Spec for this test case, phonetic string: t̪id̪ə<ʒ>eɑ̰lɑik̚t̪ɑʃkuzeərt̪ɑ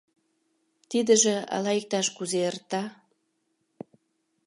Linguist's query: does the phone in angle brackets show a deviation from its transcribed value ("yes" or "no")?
no